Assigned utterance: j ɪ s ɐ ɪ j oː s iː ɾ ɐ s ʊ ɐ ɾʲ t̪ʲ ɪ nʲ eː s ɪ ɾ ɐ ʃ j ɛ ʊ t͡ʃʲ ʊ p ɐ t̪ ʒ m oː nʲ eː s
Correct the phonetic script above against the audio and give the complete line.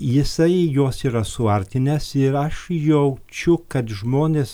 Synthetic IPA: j ɪ s ɐ ɪ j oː s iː ɾ ɐ s ʊ ɐ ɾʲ t̪ʲ ɪ nʲ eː s ɪ ɾ ɐ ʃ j ɛ ʊ t͡ʃʲ ʊ k ɐ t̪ ʒ m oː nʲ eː s